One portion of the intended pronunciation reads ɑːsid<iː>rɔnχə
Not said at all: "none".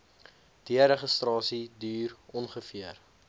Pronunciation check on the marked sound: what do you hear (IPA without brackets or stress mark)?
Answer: yː